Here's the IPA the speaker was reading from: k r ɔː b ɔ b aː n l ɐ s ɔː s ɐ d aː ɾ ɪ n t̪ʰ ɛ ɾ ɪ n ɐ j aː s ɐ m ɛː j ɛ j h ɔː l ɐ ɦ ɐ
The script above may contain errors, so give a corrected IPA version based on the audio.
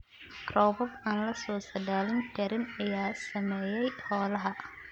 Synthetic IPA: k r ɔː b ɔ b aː n l ɐ s ɔː s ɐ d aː l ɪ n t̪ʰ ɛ ɾ ɪ n ɐ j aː s ɐ m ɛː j ɛ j h ɔː l ɐ ɦ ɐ

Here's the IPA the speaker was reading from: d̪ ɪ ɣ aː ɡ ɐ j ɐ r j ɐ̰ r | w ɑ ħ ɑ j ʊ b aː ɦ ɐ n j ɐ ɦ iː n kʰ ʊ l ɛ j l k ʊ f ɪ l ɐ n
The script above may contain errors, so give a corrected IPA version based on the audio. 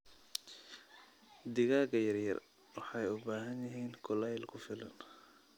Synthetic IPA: d̪ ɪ ɣ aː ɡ ɐ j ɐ r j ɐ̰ r | w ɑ ħ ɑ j ʊ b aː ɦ ɐ n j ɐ ɦ iː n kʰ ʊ l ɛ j l kʰ ʊ f ɪ l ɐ n

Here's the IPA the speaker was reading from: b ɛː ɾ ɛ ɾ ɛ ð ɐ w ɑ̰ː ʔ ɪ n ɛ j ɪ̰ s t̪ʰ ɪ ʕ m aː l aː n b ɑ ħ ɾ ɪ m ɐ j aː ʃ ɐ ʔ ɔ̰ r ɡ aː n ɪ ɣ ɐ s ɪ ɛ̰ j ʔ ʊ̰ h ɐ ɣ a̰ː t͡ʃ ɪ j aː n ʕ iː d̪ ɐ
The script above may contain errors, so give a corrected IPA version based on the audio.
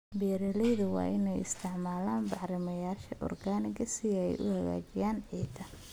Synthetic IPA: b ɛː ɾ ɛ l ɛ ð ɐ w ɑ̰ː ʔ ɪ n ɛ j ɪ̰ s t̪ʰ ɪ ʕ m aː l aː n b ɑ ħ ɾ ɪ m ɐ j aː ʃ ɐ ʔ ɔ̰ r ɡ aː n ɪ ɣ ɐ s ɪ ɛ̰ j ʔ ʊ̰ h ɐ ɣ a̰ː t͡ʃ ɪ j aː n ʕ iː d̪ ɐ

